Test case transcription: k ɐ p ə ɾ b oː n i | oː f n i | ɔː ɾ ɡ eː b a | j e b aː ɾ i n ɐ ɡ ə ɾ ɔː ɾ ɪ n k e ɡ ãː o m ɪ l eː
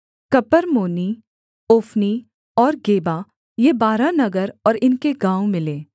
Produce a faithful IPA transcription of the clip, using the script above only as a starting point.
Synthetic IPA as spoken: k ɐ p ə ɾ m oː n i | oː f n i | ɔː ɾ ɡ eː b a | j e b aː ɾ a n ɐ ɡ ə ɾ ɔː ɾ ɪ n k e ɡ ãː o m ɪ l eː